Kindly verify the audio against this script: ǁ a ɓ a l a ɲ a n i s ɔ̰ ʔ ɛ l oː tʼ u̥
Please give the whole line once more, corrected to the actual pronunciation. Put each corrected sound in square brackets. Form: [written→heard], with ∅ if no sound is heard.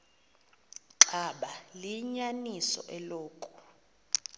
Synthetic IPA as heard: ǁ a ɓ a l [a→i] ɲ a n i s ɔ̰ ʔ ɛ l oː [tʼ→kʼ] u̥